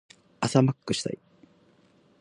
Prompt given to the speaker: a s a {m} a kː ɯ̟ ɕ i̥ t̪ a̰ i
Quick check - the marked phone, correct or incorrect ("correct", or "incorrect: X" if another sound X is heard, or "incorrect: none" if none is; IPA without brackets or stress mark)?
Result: correct